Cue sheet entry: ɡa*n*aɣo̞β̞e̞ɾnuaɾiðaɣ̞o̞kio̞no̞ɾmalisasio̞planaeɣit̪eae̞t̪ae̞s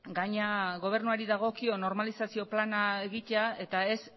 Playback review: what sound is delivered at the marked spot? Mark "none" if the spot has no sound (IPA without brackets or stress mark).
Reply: ɲ